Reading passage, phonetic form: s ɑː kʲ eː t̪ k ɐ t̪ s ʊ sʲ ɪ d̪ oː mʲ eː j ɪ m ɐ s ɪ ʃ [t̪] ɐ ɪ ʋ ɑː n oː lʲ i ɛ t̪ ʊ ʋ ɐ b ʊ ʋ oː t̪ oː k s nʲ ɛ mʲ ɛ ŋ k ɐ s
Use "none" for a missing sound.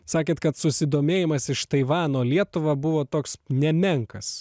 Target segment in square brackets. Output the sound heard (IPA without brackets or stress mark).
t̪